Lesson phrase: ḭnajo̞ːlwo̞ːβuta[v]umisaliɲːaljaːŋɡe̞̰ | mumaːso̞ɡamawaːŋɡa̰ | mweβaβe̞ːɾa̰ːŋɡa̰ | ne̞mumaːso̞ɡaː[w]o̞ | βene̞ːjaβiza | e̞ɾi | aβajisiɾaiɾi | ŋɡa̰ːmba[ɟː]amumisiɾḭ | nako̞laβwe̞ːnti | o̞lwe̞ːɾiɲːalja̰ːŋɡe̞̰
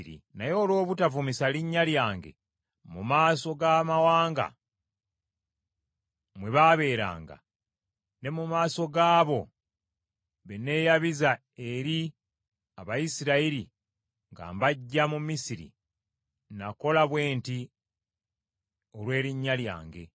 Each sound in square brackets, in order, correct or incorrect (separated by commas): correct, incorrect, correct